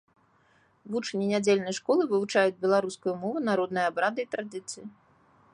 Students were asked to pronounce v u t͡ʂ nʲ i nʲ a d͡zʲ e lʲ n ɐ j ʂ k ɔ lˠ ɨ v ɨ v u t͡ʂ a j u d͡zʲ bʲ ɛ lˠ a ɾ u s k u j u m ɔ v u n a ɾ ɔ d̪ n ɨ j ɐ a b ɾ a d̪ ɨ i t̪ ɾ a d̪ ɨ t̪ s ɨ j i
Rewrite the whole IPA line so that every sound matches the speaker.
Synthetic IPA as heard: v u t͡ʂ nʲ i nʲ a d͡zʲ e lʲ n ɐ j ʂ k ɔ lˠ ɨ v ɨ v u t͡ʂ a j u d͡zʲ bʲ ɛ lˠ a ɾ u s k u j u m ɔ v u n a ɾ ɔ d̪ n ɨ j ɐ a b ɾ a d̪ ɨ i t̪ ɾ a d̪ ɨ t̪ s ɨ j i